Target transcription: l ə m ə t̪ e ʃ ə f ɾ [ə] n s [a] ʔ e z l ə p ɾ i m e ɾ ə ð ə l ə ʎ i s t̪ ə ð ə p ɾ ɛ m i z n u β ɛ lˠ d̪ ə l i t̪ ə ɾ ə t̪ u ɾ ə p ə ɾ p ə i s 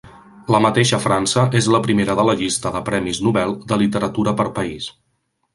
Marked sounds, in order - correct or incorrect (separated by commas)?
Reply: incorrect, incorrect